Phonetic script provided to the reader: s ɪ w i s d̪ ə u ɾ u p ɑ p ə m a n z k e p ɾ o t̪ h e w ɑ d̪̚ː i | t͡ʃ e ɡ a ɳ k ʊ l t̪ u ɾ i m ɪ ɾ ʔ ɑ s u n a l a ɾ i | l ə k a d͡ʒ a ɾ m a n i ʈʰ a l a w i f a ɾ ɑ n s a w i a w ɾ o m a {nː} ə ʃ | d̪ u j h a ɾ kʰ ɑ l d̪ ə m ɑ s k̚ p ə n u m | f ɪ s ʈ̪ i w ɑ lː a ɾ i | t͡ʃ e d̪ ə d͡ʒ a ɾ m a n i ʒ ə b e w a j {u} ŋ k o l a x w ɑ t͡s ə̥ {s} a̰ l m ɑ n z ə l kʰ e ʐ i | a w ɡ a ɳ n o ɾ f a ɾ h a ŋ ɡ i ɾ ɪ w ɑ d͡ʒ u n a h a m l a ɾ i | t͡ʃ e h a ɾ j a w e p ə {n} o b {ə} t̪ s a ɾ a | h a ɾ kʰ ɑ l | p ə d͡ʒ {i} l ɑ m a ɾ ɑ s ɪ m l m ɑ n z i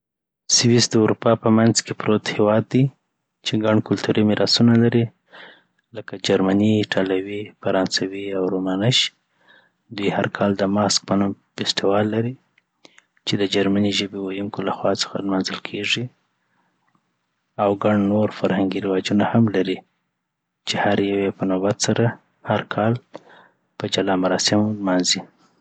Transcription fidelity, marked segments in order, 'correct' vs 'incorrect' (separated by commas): incorrect, correct, incorrect, correct, incorrect, incorrect